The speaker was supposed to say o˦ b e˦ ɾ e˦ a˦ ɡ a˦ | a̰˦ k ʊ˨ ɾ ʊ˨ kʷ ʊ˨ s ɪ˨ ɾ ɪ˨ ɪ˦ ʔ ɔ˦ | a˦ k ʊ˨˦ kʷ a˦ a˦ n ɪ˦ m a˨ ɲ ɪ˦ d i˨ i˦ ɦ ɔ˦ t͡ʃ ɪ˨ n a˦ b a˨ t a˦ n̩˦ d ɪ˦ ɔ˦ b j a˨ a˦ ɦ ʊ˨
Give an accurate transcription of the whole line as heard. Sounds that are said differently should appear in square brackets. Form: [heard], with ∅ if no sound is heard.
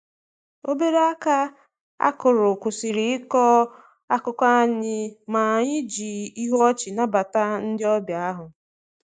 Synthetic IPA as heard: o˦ b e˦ ɾ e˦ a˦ [k] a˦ | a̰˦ k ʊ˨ ɾ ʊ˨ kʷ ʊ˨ s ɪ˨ ɾ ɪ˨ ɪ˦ [k] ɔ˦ | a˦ k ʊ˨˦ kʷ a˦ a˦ [ɲ] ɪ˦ m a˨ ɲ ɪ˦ [d͡ʒ] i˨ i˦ ɦ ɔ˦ t͡ʃ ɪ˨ n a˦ b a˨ t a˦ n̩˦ d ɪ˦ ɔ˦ b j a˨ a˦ ɦ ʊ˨